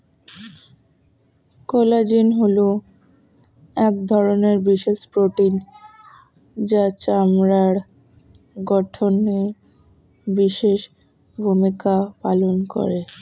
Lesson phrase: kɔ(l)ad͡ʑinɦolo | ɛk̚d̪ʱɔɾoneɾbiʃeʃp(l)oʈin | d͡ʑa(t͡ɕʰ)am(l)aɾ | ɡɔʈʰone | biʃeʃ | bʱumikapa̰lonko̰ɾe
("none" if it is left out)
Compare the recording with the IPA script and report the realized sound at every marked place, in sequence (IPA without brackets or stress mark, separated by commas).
l, ɾ, t͡ɕ, ɾ